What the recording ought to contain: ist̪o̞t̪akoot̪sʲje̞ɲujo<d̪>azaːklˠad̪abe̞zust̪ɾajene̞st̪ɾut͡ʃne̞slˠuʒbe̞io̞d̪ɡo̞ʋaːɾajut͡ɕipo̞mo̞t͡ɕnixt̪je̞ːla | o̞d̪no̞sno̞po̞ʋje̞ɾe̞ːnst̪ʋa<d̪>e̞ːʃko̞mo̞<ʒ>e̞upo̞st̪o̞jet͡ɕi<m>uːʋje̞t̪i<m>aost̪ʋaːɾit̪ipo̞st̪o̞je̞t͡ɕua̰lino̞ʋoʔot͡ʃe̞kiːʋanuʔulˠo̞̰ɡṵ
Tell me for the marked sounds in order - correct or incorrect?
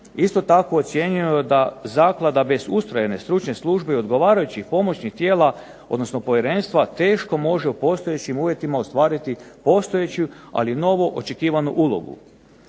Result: correct, incorrect: t̪, correct, correct, correct

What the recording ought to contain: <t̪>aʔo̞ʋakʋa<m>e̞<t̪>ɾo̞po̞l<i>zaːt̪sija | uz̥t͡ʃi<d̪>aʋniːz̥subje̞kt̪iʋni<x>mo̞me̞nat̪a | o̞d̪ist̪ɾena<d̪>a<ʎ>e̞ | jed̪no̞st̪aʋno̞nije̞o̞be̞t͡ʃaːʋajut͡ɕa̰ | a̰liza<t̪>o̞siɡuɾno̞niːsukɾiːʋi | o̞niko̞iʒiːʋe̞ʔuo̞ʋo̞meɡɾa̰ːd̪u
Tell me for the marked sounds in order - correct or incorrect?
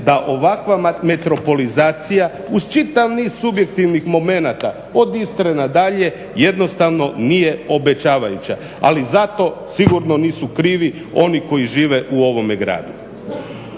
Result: incorrect: d̪, correct, correct, correct, incorrect: t̪, correct, correct, correct, correct

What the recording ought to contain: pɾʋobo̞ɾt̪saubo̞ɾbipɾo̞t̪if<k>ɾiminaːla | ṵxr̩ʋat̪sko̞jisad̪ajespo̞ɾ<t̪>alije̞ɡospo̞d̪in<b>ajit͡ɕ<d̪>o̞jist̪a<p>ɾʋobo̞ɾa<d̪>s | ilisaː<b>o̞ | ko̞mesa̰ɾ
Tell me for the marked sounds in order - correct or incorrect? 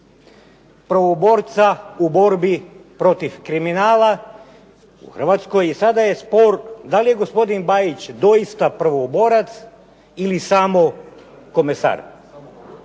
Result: correct, incorrect: d̪, correct, correct, correct, incorrect: t̪, incorrect: m

